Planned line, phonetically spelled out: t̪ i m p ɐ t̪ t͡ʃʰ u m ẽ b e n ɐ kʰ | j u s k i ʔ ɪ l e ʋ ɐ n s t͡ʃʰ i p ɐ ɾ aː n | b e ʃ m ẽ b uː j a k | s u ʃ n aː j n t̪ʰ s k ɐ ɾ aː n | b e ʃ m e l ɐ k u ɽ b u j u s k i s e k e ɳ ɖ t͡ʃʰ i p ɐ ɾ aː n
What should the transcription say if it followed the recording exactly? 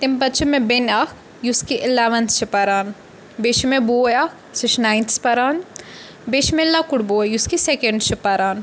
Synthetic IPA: t̪ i m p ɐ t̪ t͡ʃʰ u m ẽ b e n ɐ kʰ | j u s k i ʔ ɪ l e ʋ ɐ n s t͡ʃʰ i p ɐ ɾ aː n | b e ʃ m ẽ b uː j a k | s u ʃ n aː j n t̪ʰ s p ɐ ɾ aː n | b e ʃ m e l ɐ k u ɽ b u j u s k i s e k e ɳ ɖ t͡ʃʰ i p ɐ ɾ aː n

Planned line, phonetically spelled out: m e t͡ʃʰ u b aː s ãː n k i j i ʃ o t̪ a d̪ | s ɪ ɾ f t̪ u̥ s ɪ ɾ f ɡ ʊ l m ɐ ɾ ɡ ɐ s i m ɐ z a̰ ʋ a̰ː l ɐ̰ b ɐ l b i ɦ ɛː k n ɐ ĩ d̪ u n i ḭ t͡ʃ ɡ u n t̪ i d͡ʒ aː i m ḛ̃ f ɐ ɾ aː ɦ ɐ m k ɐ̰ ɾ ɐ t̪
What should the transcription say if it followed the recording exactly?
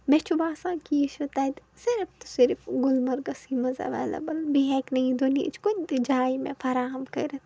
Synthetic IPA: m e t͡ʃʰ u b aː s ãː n k i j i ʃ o t̪ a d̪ | s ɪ ɾ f t̪ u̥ s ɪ ɾ f ɡ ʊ l m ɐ ɾ ɡ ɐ s i m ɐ z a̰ ʋ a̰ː l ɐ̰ b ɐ l b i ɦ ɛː k n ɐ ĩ d̪ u n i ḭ t͡ʃ k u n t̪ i d͡ʒ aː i m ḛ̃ f ɐ ɾ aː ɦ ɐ m k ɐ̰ ɾ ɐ t̪

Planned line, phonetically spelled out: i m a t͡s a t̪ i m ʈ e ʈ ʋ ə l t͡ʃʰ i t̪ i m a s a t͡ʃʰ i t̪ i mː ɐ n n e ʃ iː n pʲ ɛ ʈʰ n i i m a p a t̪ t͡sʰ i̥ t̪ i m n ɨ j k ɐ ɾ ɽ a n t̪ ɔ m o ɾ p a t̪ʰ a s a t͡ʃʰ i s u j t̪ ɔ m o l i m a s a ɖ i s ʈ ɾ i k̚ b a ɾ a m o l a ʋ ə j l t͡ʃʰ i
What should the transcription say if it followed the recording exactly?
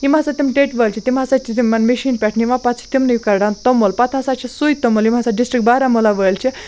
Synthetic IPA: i m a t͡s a t̪ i m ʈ e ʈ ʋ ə l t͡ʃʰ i t̪ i m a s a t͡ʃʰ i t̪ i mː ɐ n m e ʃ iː n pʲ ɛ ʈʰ n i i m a p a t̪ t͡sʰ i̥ t̪ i m n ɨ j k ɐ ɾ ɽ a n t̪ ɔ m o l p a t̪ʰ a s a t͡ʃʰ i s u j t̪ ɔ m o l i m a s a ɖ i s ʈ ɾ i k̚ b a ɾ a m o l a ʋ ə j l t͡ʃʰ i

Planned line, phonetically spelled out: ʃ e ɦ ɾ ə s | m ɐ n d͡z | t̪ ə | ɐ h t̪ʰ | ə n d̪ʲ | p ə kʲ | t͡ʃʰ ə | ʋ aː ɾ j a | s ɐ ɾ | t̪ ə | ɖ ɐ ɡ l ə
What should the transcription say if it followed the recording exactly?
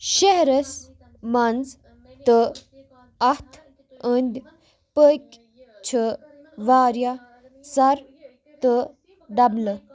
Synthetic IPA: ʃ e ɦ ɾ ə s | m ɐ n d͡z | t̪ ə | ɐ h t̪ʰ | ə n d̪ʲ | p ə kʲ | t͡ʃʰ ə | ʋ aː ɾ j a | s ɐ ɾ | t̪ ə | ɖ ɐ b l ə

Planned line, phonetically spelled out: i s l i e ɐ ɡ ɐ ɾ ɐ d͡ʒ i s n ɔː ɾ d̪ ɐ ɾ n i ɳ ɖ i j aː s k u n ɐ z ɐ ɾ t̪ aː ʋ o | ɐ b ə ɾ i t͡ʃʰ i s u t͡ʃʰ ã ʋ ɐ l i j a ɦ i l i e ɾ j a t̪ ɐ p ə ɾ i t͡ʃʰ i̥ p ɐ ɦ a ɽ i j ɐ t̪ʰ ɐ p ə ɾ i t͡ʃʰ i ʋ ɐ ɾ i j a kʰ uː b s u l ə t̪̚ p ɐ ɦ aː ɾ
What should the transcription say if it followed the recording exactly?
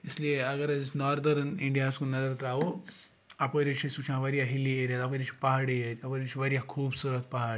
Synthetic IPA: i s l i e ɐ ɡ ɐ ɾ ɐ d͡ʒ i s n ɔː ɾ d̪ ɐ ɾ n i ɳ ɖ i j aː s k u n ɐ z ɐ ɾ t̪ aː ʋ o | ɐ p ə ɾ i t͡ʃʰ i s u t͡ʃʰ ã ʋ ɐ ɾ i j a ɦ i l i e ɾ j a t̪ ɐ p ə ɾ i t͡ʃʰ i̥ p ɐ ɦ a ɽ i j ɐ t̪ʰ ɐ p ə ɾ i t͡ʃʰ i ʋ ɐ ɾ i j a kʰ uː b s u ɾ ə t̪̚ p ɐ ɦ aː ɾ

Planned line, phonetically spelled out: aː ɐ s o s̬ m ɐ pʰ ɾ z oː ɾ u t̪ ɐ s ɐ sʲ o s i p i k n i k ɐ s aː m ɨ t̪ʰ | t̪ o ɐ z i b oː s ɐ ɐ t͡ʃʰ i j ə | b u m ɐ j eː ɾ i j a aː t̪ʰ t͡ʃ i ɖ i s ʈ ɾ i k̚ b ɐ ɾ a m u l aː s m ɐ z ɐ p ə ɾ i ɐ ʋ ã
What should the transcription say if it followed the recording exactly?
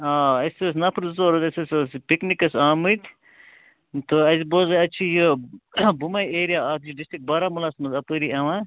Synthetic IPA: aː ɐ s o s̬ n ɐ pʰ ɾ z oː ɾ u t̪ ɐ s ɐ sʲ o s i p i k n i k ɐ s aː m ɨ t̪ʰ | t̪ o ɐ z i b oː z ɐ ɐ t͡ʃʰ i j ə | b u m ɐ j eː ɾ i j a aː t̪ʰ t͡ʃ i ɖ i s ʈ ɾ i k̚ b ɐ ɾ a m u l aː s m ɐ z ɐ p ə ɾ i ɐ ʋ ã

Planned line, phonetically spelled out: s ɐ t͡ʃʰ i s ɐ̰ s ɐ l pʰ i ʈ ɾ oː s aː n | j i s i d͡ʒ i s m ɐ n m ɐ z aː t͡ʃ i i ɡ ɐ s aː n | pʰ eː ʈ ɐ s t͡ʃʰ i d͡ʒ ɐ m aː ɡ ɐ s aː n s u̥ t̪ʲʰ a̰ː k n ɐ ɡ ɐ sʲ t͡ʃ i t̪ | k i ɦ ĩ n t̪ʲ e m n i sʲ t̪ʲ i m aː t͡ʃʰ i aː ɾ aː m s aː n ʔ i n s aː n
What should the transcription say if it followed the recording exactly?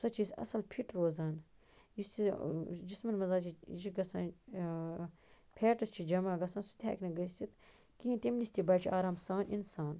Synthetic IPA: s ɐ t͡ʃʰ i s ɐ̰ s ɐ l pʰ i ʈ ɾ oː z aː n | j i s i d͡ʒ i s m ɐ n m ɐ z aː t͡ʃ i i ɡ ɐ s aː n | pʰ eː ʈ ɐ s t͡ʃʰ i d͡ʒ ɐ m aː ɡ ɐ s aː n s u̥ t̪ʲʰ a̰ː k n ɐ ɡ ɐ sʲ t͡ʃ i t̪ | k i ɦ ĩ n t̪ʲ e m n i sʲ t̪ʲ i b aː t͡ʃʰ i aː ɾ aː m s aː n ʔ i n s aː n

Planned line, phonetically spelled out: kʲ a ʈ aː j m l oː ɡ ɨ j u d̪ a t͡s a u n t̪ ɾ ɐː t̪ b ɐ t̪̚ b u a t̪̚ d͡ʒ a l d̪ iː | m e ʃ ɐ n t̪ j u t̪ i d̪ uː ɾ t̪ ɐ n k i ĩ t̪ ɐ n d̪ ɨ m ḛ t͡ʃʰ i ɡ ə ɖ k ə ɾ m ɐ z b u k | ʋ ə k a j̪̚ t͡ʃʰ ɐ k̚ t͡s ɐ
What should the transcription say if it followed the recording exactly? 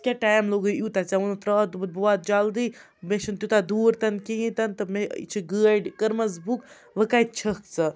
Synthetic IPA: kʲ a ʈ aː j m l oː ɡ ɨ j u t̪ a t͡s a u n t̪ ɾ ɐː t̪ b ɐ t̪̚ b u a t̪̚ d͡ʒ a l d̪ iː | m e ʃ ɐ n t̪ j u t̪ a d̪ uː ɾ t̪ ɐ n k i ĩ t̪ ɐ n t̪ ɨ m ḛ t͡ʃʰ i ɡ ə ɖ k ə ɾ m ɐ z b u k | ʋ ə k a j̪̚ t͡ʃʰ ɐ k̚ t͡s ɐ

